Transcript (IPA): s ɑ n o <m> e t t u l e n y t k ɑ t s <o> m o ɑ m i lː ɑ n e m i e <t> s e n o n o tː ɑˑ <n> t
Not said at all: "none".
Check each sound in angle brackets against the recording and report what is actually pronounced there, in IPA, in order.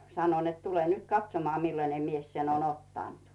n, o, s, n

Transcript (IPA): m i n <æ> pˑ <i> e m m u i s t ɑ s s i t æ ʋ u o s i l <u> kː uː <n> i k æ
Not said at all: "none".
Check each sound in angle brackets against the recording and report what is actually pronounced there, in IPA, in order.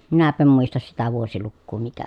æ, æ, u, m

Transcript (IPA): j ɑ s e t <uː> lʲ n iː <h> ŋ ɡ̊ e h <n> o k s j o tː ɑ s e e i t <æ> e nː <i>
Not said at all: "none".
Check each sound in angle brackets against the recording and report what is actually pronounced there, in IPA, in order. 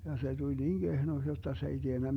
u, none, n, i, æ

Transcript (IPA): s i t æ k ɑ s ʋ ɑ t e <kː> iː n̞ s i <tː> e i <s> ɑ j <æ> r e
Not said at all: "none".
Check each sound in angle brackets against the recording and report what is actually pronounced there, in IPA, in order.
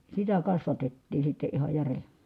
tː, tː, h, æ

